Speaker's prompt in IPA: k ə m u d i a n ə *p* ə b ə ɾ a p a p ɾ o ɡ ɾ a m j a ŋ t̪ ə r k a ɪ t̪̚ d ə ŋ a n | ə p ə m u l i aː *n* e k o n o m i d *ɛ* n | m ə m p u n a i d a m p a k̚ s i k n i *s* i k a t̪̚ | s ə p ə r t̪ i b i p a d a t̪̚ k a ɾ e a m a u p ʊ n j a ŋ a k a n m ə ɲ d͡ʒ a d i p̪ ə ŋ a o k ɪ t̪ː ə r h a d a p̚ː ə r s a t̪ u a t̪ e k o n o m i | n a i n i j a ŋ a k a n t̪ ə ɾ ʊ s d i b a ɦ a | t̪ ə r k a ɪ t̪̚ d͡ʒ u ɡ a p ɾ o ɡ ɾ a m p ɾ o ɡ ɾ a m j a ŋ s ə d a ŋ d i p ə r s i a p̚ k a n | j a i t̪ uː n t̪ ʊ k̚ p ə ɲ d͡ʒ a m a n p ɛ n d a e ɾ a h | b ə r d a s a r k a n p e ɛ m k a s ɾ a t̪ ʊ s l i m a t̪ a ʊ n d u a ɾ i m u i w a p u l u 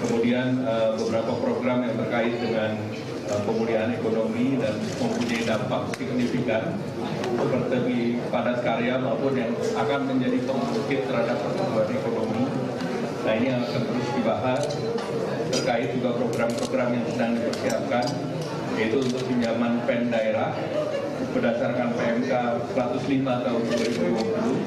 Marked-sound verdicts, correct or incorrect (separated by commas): incorrect, correct, incorrect, incorrect